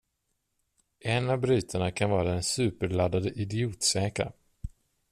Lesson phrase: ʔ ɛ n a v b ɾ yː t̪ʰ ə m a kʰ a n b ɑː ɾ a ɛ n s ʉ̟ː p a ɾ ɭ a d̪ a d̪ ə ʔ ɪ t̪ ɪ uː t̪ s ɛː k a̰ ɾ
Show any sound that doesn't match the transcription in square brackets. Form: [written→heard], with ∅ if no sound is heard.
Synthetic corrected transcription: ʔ ɛ n a v b ɾ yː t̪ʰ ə [m→ɳ] a kʰ a n [b→v] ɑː ɾ a ɛ n s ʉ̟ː p [a→ə] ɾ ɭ a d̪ a d̪ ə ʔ ɪ [t̪→d̪] ɪ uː t̪ s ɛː k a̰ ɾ